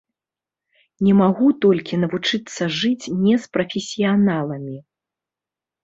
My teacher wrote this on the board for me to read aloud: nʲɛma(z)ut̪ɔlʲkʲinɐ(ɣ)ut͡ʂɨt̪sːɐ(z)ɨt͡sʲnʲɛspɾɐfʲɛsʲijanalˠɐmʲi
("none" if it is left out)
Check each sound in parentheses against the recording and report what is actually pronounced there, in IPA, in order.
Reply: ɣ, v, ʐ

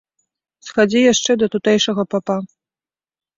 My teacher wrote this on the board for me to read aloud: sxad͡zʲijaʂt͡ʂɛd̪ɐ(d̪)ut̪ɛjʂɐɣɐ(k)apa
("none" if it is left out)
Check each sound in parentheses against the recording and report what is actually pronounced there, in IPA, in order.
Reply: t̪, p

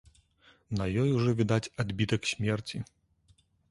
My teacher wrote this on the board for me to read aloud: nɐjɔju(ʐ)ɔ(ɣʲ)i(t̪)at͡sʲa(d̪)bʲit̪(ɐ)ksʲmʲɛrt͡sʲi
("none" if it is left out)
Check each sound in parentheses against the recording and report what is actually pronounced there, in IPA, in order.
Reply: ʐ, vʲ, d̪, d̪, ɐ

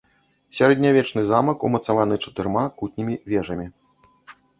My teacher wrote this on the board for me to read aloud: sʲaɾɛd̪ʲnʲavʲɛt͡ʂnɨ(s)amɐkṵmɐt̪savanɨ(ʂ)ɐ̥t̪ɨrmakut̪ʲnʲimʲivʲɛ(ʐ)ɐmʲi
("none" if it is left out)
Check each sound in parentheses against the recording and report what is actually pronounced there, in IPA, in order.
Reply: z, t͡ʂ, ʐ

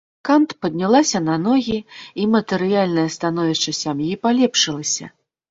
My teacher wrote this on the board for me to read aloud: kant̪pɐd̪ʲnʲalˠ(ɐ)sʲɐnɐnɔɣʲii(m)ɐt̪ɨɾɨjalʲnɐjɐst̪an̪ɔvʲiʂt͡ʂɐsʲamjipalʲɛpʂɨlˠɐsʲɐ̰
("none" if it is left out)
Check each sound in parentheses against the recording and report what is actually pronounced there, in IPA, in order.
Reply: a, m

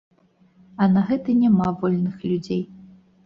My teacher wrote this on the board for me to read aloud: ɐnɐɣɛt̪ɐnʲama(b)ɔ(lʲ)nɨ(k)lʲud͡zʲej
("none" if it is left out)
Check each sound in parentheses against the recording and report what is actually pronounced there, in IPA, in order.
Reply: v, lʲ, x

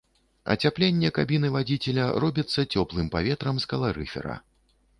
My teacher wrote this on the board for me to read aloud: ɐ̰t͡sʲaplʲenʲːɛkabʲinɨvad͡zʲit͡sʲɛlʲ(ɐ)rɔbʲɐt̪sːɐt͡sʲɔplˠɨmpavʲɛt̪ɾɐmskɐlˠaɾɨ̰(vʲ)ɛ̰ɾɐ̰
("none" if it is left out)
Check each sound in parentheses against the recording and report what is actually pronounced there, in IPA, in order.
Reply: ɐ, fʲ

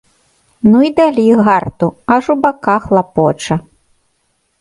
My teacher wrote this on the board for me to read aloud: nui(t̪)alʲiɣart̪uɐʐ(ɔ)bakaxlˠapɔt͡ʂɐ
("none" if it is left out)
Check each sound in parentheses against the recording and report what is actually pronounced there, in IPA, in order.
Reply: d̪, u

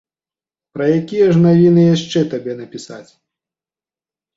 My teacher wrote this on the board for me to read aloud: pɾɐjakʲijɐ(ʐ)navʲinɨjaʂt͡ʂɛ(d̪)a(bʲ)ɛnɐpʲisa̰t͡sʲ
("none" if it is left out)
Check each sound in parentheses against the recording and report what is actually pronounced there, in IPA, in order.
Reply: ʐ, t̪, bʲ

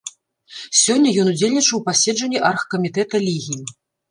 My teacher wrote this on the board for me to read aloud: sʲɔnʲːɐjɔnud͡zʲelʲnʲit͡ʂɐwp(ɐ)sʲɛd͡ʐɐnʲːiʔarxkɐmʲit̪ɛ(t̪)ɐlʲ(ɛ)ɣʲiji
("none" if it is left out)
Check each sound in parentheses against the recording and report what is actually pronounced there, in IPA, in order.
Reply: a, t̪, i

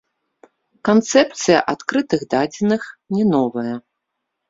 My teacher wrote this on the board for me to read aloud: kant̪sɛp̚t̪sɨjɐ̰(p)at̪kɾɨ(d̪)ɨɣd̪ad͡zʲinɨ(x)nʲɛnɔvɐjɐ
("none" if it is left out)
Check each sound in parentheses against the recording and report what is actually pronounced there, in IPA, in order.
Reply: ʔ, t̪, x

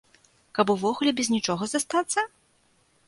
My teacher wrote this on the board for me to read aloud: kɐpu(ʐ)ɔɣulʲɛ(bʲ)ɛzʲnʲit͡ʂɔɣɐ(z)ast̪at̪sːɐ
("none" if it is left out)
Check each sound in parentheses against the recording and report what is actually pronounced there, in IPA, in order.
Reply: v, bʲ, z

